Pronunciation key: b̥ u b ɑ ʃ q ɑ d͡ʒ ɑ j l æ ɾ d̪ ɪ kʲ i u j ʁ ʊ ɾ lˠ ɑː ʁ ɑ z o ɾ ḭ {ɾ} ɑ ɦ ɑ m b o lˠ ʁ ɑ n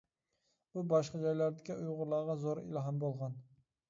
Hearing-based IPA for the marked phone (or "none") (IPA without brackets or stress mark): l